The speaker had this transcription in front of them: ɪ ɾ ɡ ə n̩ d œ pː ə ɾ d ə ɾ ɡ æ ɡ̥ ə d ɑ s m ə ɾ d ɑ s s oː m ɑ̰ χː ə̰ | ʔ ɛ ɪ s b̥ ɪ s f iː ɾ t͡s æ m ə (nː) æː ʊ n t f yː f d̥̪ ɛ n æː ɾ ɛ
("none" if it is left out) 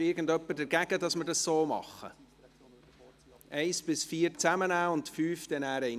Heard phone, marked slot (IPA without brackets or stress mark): n